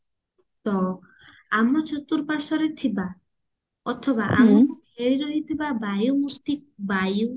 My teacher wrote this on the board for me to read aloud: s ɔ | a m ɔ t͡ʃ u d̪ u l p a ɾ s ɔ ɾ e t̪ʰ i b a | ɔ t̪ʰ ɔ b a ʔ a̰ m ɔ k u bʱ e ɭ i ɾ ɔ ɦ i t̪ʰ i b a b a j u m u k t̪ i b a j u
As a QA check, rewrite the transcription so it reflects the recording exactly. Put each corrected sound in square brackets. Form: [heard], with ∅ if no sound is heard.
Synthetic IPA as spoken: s ɔ | a m ɔ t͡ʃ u [t̪] u [ɾ] p a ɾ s ɔ ɾ e t̪ʰ i b a | ɔ t̪ʰ ɔ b a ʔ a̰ m ɔ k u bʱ e [ɾ] i ɾ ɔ ɦ i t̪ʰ i b a b a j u m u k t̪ i b a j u